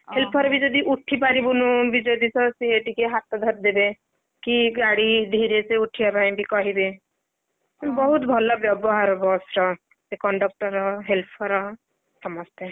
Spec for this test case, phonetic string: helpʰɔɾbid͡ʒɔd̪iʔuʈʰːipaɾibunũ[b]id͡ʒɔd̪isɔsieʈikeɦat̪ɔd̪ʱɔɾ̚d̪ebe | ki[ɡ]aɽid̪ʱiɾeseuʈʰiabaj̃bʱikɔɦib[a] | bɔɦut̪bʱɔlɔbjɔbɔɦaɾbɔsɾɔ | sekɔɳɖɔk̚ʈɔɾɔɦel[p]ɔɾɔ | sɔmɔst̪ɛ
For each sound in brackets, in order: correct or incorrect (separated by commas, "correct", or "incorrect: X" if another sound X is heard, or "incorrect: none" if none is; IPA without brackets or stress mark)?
correct, correct, incorrect: e, incorrect: pʰ